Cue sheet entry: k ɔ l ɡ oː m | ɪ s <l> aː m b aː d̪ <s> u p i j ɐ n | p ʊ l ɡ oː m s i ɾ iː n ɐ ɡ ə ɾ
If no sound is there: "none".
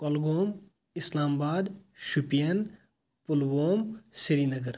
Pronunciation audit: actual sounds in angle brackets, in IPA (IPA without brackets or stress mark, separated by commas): l, ʃ